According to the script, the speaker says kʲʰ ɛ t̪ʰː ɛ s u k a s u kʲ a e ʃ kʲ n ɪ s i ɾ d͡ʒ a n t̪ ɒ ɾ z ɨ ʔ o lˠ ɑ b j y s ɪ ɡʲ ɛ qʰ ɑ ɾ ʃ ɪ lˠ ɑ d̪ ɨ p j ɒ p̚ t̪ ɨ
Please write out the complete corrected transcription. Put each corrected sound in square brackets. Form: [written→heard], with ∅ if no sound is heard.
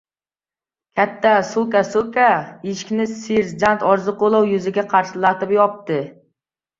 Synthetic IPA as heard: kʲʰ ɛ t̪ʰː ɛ s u k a s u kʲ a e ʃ kʲ n ɪ s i ɾ d͡ʒ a n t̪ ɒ ɾ z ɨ [ʔ→q] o lˠ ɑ [b→w] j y [s→z] ɪ ɡʲ ɛ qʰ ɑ ɾ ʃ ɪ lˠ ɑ [d̪→t̪] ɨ p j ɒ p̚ t̪ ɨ

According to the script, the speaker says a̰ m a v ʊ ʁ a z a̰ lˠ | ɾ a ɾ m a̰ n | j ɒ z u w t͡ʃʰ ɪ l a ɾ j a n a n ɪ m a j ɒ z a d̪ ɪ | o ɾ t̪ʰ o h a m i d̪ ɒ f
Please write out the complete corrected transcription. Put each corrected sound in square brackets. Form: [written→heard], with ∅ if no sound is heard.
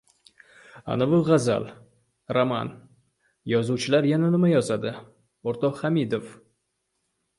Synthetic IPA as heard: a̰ [m→n] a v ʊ ʁ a z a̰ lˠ | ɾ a [ɾ→∅] m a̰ n | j ɒ z u w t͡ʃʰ ɪ l a ɾ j a n a n ɪ m a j ɒ z a d̪ ɪ | o ɾ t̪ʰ [o→ɒ] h a m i d̪ [ɒ→o] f

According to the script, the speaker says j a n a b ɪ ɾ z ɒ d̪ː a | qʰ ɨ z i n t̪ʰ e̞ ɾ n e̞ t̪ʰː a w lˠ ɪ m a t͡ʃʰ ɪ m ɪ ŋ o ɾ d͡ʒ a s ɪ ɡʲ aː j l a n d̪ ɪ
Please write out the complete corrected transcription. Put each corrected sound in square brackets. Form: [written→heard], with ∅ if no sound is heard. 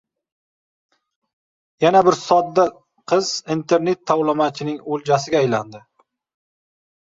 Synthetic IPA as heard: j a n a b ɪ ɾ [z→s] ɒ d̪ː a | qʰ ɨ z i n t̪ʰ e̞ ɾ n e̞ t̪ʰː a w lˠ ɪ m a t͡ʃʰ ɪ [m→n] ɪ ŋ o [ɾ→l] d͡ʒ a s ɪ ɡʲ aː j l a n d̪ ɪ

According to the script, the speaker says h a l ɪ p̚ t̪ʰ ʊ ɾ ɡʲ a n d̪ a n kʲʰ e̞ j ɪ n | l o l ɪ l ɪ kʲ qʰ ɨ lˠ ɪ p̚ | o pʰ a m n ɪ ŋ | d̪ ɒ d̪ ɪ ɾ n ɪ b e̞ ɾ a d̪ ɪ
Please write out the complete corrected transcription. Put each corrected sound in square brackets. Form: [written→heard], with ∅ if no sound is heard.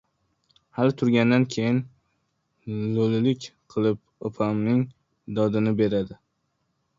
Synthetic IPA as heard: h a l ɪ [p̚→∅] t̪ʰ ʊ ɾ ɡʲ a n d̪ a n kʲʰ e̞ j ɪ n | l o l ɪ l ɪ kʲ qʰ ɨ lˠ ɪ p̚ | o pʰ a m n ɪ ŋ | d̪ ɒ d̪ ɪ [ɾ→∅] n ɪ b e̞ ɾ a d̪ ɪ

